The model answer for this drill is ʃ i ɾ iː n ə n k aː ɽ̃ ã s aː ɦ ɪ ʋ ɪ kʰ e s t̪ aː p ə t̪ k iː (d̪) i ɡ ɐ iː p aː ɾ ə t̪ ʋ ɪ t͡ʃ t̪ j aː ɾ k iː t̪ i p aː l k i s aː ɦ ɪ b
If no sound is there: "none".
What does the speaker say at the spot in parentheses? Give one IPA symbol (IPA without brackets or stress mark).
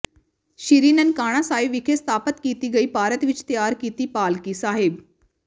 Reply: t̪